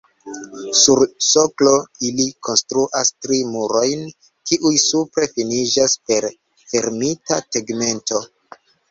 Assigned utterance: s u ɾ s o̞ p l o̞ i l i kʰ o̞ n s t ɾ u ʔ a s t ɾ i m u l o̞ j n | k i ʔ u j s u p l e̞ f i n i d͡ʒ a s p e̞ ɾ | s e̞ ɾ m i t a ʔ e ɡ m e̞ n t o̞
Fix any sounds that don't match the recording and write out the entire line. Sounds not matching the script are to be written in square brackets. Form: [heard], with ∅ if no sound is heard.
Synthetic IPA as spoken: s u ɾ s o̞ [k] l o̞ i l i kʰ o̞ n s t ɾ u ʔ a s t ɾ i m u [ɾ] o̞ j n | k i ʔ u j s u p [ɾ] e̞ f i n i d͡ʒ a s p e̞ ɾ | [f] e̞ ɾ m i t a [t] e ɡ m e̞ n t o̞